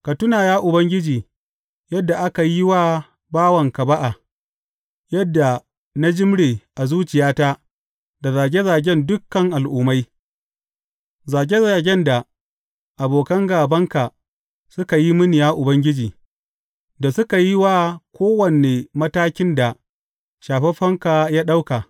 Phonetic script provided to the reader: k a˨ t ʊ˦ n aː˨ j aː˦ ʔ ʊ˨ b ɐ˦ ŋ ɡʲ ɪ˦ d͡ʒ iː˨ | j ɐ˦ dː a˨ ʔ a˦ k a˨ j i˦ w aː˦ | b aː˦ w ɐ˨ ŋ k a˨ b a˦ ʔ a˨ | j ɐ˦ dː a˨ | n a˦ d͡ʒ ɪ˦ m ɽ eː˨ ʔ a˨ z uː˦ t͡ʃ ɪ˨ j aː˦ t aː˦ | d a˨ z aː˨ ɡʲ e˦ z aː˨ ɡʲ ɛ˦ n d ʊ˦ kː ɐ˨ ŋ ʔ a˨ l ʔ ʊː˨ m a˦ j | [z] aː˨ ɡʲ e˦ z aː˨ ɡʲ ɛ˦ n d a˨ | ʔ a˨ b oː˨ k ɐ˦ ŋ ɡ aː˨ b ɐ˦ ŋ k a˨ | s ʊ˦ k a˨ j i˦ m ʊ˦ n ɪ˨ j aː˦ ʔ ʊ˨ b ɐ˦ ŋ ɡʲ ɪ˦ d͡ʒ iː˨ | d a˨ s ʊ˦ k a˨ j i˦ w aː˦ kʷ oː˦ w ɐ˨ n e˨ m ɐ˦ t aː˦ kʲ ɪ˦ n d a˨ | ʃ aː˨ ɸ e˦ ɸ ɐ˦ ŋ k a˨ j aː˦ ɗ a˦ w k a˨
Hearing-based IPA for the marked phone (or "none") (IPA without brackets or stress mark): z